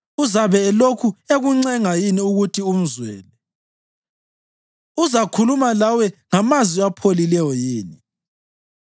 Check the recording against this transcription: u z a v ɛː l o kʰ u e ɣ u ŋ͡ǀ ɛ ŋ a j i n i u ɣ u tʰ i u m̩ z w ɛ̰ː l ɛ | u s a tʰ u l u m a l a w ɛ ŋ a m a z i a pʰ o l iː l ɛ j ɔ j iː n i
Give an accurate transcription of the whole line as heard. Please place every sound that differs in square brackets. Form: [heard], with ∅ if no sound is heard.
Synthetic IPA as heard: u z a [β] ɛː l o kʰ u e ɣ u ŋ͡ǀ ɛ ŋ a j i n i u ɣ u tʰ i u m̩ z w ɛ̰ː l ɛ | u [z] a [kʰ] u l u m a l a w ɛ ŋ a m a z i a pʰ o l [i] l ɛ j ɔ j iː n i